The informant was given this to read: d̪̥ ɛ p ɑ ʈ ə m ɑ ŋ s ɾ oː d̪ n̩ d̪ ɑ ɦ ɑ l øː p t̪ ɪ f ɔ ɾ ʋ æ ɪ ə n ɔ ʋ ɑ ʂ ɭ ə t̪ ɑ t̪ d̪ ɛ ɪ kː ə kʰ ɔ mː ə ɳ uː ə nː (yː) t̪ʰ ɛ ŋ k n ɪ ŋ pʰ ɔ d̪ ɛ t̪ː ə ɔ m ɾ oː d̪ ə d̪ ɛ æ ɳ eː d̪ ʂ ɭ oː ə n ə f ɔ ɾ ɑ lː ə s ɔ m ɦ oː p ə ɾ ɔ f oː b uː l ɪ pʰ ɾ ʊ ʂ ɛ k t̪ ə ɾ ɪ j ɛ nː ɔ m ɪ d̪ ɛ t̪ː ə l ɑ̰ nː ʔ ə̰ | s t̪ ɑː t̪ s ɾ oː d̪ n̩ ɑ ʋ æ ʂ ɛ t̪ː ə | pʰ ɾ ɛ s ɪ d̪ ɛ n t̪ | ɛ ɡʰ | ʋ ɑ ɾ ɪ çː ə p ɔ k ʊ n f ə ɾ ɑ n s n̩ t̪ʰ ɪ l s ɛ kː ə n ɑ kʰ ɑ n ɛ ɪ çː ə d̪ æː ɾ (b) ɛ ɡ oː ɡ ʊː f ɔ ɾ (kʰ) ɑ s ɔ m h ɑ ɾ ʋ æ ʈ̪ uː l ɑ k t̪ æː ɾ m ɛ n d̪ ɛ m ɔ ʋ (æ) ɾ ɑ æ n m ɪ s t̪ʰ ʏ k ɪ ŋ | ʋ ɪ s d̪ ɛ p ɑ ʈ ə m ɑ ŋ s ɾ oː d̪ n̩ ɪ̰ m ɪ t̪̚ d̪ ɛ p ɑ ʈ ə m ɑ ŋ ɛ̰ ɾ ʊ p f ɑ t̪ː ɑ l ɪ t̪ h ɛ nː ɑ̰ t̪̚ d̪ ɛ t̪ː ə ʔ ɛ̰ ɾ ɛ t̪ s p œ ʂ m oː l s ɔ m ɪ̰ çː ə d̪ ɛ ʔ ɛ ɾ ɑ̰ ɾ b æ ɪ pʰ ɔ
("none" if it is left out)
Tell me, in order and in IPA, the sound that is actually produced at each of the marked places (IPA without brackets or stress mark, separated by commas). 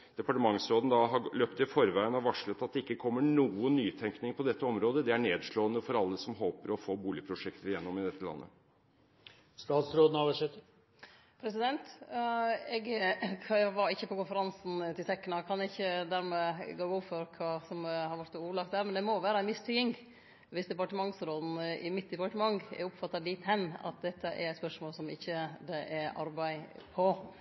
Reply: yː, m, kʰ, æː